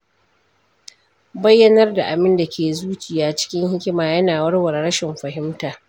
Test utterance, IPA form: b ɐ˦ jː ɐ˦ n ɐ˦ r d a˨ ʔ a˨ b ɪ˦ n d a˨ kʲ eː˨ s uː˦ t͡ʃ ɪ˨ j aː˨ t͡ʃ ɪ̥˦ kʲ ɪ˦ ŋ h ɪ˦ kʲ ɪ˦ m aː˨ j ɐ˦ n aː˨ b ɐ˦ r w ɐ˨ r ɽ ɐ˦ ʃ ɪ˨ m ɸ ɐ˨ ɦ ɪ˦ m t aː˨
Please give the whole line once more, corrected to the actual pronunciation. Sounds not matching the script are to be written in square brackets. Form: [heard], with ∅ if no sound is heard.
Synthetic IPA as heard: b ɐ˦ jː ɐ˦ n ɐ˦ r d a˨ ʔ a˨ b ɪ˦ n d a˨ kʲ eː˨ [z] uː˦ t͡ʃ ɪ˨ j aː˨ t͡ʃ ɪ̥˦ kʲ ɪ˦ ŋ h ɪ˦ kʲ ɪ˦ m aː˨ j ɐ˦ n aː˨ [w] ɐ˦ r w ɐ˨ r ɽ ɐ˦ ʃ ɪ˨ m ɸ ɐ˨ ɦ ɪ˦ m t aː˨